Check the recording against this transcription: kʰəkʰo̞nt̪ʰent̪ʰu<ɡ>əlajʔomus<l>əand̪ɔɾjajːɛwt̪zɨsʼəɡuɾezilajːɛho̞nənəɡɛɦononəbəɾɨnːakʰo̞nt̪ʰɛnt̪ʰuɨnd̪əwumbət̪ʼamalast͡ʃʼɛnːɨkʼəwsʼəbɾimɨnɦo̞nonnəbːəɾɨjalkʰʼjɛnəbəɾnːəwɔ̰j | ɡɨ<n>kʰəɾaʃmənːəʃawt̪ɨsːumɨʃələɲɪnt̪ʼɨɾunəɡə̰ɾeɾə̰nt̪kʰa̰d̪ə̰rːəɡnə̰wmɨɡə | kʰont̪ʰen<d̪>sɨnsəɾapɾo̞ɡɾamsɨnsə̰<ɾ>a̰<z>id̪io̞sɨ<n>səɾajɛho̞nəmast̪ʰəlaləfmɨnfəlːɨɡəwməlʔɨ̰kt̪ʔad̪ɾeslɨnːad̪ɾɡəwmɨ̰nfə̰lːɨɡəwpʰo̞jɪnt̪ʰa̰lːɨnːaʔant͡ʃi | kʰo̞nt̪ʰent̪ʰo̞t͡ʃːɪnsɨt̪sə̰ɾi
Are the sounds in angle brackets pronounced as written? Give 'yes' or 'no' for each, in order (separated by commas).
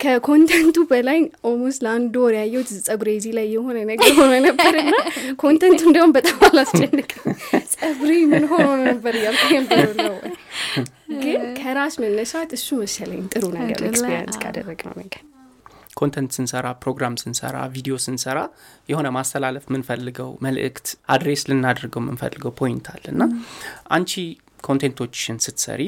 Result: no, yes, yes, no, yes, no, yes